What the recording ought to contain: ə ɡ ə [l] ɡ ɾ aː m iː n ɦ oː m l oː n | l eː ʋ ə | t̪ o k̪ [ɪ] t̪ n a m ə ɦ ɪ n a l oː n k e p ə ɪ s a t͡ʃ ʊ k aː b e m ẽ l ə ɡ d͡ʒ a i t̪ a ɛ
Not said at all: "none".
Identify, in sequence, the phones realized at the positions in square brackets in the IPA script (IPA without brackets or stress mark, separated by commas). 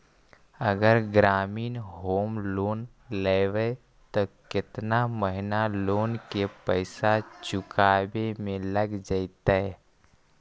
ɾ, ɪ